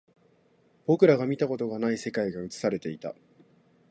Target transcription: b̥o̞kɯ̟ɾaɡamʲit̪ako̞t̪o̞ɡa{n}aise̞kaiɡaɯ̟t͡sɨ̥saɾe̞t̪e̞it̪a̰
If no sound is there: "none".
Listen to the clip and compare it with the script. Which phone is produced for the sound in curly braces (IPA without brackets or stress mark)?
n